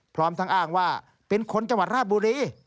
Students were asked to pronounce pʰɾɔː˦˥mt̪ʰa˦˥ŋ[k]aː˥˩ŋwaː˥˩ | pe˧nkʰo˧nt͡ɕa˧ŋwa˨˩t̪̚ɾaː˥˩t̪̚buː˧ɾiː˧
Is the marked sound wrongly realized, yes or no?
yes